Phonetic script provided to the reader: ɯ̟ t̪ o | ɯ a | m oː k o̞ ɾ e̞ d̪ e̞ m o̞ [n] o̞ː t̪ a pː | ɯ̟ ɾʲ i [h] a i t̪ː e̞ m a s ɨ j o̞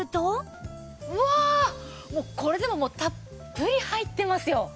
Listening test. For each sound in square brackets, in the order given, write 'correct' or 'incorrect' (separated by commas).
incorrect, correct